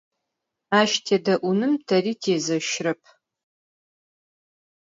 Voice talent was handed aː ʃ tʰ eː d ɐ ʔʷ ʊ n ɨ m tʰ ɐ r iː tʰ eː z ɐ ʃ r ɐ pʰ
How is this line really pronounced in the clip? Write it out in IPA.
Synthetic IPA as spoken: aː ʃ tʰ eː d ɐ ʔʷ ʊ n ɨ m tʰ ɐ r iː tʰ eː z ɐ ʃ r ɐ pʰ